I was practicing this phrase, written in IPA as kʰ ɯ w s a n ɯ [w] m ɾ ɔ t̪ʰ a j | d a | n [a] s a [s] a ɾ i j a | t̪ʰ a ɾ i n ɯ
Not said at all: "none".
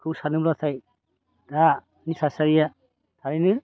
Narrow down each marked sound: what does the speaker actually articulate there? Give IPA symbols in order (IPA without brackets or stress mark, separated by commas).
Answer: none, i, s